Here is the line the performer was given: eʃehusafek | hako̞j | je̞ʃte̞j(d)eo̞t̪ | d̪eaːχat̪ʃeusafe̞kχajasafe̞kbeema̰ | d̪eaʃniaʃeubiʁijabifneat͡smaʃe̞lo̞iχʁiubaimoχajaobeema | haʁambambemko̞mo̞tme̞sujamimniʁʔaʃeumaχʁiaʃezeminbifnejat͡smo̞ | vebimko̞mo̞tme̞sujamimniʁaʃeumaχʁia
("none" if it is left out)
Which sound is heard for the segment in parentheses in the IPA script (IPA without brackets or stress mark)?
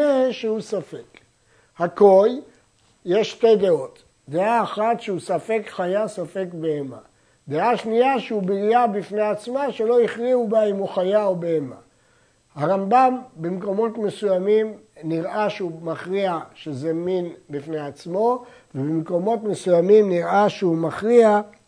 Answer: d